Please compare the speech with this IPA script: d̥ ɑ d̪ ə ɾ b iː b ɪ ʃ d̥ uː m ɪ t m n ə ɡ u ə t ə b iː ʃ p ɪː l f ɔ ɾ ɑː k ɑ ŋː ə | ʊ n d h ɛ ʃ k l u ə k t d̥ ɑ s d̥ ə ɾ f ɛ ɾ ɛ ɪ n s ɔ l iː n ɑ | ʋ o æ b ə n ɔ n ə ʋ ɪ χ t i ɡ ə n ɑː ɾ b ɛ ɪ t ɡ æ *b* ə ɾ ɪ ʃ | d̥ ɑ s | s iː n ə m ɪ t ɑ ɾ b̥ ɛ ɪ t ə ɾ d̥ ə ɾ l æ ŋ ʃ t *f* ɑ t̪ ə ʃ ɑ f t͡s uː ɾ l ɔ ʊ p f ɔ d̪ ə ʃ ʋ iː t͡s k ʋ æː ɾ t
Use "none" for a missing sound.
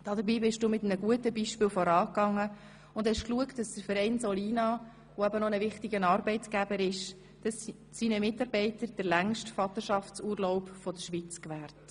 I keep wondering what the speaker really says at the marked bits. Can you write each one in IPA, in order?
b, f

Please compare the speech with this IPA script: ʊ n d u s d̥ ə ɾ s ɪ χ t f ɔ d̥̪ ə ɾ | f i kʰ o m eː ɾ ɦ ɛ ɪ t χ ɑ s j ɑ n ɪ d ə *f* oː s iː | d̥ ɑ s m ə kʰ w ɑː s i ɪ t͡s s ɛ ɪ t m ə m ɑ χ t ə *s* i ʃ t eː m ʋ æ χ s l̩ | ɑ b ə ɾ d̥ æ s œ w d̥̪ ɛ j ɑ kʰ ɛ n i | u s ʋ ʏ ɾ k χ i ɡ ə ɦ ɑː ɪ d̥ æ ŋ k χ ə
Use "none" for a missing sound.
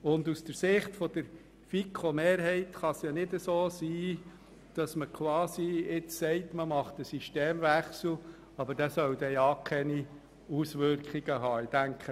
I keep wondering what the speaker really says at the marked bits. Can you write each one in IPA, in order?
s, s

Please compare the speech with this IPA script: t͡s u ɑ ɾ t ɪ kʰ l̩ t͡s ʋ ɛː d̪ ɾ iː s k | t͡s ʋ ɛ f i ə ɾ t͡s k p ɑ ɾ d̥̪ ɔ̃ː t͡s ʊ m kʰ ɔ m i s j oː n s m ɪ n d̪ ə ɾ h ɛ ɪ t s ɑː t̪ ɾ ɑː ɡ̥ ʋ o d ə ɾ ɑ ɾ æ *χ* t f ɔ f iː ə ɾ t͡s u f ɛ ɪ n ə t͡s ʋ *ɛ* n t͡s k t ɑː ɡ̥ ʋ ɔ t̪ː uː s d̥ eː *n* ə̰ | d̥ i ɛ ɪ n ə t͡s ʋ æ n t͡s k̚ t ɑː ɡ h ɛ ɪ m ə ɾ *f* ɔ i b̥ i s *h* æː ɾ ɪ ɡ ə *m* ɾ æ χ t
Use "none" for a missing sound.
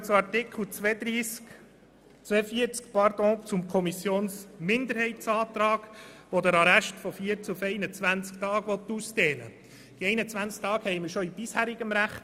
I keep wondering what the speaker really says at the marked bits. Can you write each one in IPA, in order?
ʃ, æ, n, ʃ, h, m

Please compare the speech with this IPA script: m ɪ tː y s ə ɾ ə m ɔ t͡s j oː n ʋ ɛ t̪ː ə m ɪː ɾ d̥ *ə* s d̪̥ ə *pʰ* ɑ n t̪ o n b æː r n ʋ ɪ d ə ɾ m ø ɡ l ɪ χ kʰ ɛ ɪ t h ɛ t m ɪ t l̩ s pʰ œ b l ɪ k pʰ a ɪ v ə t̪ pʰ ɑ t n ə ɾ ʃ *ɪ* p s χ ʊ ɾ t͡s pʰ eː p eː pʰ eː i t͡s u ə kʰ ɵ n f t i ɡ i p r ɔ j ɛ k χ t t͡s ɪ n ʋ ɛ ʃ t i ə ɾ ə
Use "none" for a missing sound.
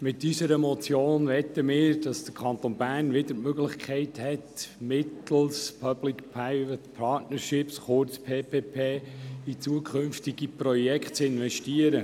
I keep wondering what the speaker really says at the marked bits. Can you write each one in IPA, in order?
ɑ, kʰ, ɪ

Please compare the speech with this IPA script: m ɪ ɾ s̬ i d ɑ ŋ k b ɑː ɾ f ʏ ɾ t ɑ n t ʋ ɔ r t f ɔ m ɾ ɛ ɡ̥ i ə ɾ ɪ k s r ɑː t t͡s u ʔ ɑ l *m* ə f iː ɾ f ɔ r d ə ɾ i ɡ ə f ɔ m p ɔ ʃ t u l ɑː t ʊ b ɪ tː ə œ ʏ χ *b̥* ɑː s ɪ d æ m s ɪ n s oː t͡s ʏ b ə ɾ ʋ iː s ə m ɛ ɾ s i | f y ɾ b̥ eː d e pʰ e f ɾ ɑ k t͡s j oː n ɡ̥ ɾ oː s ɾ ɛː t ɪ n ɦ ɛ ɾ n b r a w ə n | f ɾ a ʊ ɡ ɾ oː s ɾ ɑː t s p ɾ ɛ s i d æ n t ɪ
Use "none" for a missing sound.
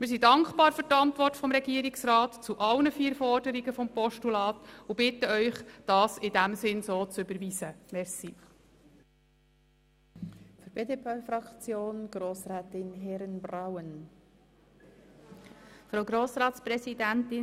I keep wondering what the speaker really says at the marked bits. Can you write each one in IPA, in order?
n, d̥

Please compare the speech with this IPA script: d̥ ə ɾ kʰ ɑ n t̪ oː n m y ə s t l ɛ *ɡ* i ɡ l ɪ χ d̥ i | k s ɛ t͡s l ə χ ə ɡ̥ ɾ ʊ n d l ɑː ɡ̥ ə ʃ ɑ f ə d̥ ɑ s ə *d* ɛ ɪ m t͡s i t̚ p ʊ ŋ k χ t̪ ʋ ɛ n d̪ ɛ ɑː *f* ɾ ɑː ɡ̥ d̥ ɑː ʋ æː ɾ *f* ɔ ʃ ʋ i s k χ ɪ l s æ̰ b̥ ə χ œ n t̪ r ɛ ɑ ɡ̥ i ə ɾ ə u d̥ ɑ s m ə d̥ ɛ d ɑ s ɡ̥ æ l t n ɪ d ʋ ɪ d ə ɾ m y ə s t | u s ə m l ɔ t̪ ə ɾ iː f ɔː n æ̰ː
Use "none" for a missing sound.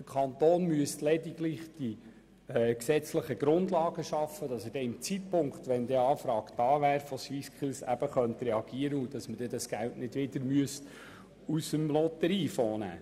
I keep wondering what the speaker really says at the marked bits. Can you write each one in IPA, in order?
d, d, f, f

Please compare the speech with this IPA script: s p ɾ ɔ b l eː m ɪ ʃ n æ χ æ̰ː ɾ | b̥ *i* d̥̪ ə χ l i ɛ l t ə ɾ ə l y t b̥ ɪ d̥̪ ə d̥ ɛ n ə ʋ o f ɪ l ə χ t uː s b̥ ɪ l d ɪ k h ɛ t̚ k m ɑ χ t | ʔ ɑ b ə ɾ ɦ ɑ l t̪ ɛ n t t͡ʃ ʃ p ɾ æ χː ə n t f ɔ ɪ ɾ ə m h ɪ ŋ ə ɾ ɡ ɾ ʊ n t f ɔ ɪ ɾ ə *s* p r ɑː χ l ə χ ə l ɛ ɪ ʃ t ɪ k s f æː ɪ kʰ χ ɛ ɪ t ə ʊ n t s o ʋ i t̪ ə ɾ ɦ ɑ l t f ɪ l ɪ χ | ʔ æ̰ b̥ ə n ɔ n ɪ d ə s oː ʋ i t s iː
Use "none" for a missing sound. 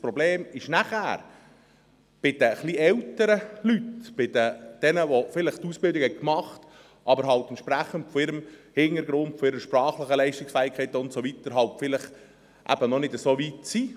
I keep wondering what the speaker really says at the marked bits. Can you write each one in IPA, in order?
ɪ, ʃ

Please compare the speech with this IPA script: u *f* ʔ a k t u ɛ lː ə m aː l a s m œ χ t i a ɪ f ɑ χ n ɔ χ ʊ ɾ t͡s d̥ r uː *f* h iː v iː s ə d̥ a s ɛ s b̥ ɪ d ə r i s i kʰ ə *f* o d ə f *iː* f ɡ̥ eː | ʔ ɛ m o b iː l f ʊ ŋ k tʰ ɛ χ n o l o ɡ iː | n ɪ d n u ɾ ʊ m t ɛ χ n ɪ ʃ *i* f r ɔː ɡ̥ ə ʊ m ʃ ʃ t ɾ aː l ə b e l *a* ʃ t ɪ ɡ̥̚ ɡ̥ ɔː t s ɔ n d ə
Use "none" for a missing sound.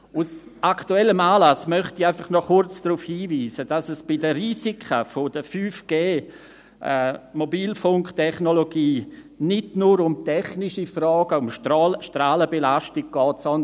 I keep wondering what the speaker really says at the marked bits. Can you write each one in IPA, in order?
s, f, f, yː, i, a

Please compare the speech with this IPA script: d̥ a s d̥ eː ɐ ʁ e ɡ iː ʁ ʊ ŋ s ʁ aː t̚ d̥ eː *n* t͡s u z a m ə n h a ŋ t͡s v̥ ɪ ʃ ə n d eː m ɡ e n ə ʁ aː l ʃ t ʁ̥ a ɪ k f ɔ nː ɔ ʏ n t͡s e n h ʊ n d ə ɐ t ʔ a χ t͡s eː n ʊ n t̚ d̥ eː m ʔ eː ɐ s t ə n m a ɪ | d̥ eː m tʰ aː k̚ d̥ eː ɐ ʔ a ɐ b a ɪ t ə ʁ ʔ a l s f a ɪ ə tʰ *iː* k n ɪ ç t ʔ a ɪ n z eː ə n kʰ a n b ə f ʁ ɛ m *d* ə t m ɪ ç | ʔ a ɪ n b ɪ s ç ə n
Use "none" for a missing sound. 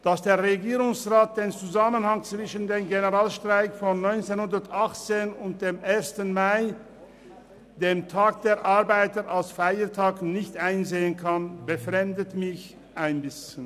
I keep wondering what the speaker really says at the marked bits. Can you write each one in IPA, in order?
n, aː, d

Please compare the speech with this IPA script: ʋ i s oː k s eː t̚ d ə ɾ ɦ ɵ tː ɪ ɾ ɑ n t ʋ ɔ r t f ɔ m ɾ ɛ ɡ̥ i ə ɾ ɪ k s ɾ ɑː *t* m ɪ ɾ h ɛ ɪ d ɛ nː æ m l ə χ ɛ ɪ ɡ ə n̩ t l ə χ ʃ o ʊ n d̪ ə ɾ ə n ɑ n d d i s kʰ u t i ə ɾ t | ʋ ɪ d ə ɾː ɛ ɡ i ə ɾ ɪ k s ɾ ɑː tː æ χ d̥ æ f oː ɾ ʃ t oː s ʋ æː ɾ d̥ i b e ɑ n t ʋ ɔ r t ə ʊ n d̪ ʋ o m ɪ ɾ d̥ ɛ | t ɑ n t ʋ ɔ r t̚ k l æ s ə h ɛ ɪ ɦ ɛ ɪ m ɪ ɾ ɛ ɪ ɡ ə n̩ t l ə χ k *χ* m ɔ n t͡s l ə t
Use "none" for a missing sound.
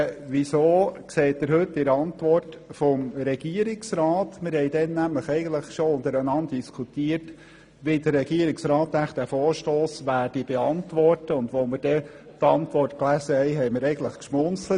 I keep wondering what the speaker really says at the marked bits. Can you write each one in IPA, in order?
t, ʃ

